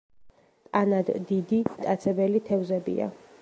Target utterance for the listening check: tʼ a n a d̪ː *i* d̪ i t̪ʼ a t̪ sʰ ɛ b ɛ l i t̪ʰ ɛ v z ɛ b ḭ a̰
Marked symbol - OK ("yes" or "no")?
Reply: yes